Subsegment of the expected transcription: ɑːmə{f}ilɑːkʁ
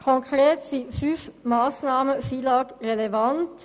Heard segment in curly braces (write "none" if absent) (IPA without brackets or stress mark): f